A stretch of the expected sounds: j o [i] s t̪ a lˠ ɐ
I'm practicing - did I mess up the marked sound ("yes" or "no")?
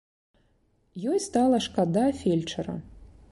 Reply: yes